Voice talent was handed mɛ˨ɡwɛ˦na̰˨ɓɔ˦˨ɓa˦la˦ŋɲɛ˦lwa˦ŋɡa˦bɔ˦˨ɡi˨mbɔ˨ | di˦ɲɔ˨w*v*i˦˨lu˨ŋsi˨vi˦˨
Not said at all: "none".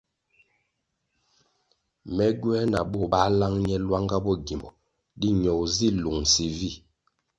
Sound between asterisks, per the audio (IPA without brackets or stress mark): z